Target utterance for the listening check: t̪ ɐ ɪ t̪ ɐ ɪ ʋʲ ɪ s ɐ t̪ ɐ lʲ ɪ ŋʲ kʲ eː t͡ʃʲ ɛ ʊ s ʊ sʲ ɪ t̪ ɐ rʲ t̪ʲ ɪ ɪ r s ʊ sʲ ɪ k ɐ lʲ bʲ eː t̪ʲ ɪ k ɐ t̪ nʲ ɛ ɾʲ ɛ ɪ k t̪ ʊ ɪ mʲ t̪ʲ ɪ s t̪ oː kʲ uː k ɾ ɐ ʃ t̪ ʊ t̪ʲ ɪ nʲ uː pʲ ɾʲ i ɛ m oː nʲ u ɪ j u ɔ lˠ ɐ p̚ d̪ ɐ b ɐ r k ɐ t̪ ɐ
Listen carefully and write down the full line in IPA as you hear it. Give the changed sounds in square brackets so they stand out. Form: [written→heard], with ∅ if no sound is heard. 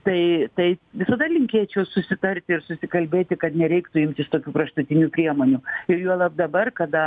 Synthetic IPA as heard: t̪ ɐ ɪ t̪ ɐ ɪ ʋʲ ɪ s ɐ [t̪→d̪] ɐ lʲ ɪ ŋʲ kʲ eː t͡ʃʲ ɛ ʊ s ʊ sʲ ɪ t̪ ɐ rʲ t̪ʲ ɪ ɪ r s ʊ sʲ ɪ k ɐ lʲ bʲ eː t̪ʲ ɪ k ɐ t̪ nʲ ɛ ɾʲ ɛ ɪ k t̪ ʊ ɪ mʲ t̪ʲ ɪ s t̪ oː kʲ uː k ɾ ɐ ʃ t̪ ʊ t̪ʲ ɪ nʲ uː pʲ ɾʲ i ɛ m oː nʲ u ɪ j u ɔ lˠ ɐ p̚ d̪ ɐ b ɐ r k ɐ [t̪→d̪] ɐ